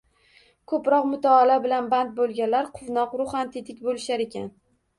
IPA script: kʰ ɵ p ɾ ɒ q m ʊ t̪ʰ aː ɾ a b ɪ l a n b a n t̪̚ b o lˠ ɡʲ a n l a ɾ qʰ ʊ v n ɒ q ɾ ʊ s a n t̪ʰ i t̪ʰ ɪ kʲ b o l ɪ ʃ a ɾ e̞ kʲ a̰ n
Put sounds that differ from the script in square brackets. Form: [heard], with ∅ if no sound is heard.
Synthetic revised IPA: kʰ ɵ p ɾ ɒ q m ʊ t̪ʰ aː [l] a b ɪ l a n b a n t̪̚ b o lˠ ɡʲ a n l a ɾ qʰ ʊ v n ɒ q ɾ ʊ [χ] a n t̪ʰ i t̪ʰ ɪ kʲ b o l ɪ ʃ a ɾ e̞ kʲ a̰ n